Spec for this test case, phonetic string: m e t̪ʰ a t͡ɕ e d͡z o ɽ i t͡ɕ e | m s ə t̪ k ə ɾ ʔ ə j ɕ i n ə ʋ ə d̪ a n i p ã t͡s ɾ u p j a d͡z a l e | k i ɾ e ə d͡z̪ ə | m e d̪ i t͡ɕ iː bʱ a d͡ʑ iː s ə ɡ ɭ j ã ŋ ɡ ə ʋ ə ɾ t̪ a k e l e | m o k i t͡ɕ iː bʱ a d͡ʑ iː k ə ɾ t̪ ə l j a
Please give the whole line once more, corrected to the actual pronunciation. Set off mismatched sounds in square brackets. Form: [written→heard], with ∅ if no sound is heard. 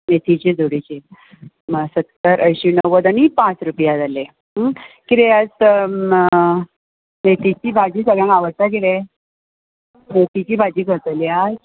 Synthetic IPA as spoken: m e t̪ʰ [a→i] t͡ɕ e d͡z o ɽ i t͡ɕ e | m s ə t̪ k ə ɾ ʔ ə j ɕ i n ə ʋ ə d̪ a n i p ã t͡s ɾ u p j a d͡z a l e | k i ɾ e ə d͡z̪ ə | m e [d̪→t̪] i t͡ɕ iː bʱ a d͡ʑ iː s ə ɡ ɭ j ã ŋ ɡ [ə→a] ʋ ə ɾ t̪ a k e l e | m o k i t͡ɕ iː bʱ a d͡ʑ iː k ə ɾ t̪ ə l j a